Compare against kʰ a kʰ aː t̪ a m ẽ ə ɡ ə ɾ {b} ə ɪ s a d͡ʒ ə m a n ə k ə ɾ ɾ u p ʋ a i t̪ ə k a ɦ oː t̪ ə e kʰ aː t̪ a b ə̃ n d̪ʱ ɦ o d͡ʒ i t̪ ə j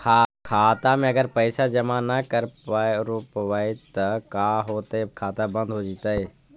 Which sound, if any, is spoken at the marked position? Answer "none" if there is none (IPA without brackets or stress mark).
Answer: p